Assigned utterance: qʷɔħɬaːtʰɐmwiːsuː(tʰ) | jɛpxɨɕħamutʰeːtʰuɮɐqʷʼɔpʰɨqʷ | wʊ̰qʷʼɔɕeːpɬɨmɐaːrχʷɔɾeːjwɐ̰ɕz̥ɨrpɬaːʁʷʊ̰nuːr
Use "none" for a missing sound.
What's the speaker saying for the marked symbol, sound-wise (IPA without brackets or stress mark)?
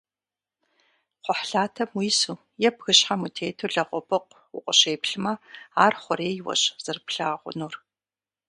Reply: none